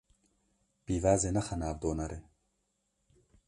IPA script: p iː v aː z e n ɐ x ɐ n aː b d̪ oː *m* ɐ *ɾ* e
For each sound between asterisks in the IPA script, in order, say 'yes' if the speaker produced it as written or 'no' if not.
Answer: no, yes

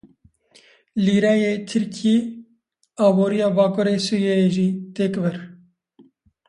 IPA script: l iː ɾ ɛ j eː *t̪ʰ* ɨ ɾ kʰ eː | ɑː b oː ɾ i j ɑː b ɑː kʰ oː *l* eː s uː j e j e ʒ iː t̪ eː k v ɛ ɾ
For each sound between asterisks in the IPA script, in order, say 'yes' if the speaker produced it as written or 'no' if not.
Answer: yes, no

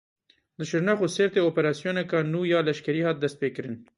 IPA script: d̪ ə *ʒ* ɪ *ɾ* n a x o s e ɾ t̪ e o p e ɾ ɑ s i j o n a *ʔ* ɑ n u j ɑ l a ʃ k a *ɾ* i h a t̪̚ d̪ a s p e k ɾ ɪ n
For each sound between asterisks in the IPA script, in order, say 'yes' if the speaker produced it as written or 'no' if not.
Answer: no, yes, no, yes

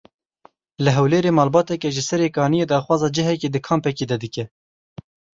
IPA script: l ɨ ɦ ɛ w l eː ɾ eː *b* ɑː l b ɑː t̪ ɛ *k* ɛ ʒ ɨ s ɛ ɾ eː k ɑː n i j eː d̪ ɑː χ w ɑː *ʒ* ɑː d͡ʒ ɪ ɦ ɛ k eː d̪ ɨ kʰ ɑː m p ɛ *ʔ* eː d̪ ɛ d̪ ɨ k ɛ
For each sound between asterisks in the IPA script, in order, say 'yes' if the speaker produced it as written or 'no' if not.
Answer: no, yes, no, no

